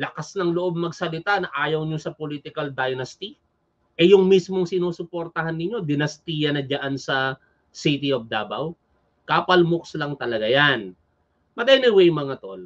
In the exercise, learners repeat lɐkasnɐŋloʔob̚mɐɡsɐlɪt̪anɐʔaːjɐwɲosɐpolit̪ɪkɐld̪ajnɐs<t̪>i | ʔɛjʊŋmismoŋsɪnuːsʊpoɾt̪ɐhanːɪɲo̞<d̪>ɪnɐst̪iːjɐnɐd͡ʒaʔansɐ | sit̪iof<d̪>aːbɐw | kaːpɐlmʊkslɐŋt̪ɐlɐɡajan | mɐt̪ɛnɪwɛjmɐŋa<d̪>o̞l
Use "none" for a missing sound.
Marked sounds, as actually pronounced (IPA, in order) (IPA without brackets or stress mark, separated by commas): t̪, d̪, d̪, t̪